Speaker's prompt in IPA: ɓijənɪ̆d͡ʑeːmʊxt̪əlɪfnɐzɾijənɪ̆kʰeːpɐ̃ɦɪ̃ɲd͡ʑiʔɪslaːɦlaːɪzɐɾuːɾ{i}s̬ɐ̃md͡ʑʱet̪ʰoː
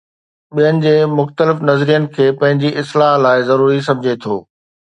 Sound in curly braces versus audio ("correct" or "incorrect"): correct